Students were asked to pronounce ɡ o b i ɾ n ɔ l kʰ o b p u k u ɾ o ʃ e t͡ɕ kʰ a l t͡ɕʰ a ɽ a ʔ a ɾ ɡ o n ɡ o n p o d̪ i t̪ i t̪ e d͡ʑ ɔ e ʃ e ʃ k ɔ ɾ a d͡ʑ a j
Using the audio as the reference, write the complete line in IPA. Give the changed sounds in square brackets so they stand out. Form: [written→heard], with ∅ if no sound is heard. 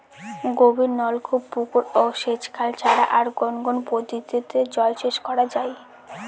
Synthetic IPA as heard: ɡ o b i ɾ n ɔ l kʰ [o→u] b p u k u ɾ o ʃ e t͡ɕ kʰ a l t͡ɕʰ a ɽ a ʔ a ɾ ɡ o n ɡ o n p o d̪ i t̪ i t̪ e d͡ʑ ɔ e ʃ e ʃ k ɔ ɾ a d͡ʑ a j